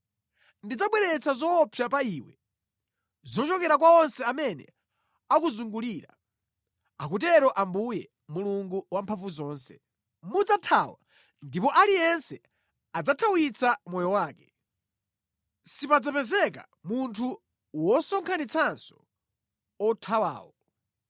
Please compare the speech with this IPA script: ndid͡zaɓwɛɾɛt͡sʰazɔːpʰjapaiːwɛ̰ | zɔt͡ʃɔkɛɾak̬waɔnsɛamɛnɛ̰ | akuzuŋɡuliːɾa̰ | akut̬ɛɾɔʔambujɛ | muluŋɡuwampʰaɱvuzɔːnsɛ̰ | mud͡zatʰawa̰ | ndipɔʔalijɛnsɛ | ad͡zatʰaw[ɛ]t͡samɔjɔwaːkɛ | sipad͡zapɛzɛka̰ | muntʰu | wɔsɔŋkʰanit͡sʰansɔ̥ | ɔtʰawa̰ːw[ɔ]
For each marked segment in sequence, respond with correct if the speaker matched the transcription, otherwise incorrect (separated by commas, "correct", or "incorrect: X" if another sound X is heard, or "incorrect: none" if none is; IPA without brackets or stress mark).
incorrect: i, correct